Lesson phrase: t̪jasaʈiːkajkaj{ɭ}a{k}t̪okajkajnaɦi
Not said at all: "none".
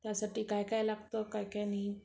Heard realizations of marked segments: l, ɡ

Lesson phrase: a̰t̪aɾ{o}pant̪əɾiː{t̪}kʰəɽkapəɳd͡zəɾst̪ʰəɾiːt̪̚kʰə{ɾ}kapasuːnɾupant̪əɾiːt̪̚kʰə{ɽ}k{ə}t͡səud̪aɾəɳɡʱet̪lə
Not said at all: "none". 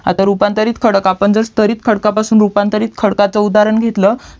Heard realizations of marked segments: u, t̪, ɽ, ɽ, a

